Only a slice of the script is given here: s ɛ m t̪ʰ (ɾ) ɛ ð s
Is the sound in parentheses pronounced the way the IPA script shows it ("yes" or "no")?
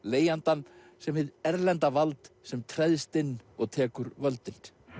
yes